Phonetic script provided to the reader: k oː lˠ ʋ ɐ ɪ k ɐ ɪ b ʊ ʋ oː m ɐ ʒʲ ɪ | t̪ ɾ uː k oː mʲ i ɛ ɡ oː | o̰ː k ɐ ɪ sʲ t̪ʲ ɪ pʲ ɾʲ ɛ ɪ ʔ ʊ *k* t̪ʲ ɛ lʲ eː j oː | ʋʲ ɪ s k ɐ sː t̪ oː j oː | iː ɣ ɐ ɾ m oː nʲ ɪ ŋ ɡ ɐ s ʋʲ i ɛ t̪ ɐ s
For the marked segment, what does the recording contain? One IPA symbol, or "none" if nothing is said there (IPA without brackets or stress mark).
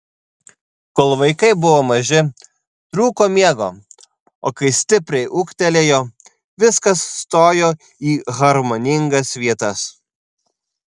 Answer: k